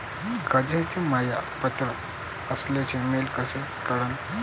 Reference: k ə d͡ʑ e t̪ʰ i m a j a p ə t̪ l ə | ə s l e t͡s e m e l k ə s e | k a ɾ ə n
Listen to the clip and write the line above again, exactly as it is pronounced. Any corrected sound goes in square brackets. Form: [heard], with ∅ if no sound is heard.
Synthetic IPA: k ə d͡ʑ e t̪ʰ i m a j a p ə t̪ [ɾ] ə | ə s l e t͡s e m e l k ə s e | k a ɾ ə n

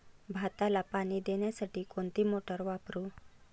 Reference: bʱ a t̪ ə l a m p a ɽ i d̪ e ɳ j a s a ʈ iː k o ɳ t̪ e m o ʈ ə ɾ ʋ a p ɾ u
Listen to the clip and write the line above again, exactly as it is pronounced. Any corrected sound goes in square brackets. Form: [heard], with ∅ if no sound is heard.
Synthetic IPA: bʱ a t̪ [a] l a [∅] p a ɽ i d̪ e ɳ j a s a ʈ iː k o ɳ t̪ [i] m o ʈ ə ɾ ʋ a p ɾ u

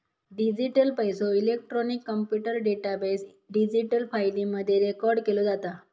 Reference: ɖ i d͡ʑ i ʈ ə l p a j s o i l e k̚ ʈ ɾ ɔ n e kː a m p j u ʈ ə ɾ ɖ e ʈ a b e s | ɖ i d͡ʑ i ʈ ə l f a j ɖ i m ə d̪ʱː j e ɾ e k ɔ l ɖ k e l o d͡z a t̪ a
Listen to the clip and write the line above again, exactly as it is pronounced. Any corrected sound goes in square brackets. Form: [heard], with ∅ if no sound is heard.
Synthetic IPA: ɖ i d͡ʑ i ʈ ə l p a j s o i l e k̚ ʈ ɾ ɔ n [i] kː [ə] m p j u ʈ ə ɾ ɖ e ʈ a b e s | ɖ i d͡ʑ i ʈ ə l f a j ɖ i m ə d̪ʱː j e ɾ e k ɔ [ɾ] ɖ k e l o d͡z a t̪ a

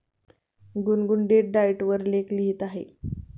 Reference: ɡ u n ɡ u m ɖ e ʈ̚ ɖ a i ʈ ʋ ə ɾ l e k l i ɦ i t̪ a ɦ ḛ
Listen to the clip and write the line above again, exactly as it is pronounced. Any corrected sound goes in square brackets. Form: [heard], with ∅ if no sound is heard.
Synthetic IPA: ɡ u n ɡ u [ɳ] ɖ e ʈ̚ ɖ a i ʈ ʋ ə ɾ l e k l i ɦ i t̪ a ɦ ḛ

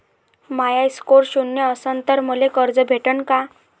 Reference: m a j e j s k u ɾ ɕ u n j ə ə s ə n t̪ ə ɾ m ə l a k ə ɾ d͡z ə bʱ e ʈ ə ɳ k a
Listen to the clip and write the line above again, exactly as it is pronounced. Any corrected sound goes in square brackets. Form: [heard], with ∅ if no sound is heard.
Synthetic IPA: m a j [a] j s k [o] ɾ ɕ u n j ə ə s ə n t̪ ə ɾ m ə l [e] k ə ɾ d͡z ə bʱ e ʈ ə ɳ k a

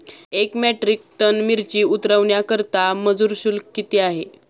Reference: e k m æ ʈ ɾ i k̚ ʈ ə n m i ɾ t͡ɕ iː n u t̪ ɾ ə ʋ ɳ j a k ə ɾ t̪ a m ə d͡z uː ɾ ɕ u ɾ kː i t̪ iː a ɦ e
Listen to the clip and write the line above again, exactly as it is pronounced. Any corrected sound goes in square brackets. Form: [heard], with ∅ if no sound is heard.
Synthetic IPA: e k m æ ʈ ɾ i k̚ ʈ ə n m i ɾ t͡ɕ iː [∅] u t̪ ɾ ə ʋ ɳ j a k ə ɾ t̪ a m ə d͡z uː ɾ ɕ u [l] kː i t̪ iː a ɦ e

